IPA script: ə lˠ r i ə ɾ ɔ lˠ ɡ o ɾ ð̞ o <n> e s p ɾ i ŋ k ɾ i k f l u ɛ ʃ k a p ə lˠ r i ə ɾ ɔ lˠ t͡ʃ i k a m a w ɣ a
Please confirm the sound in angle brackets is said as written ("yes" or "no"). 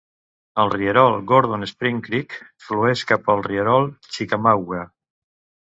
yes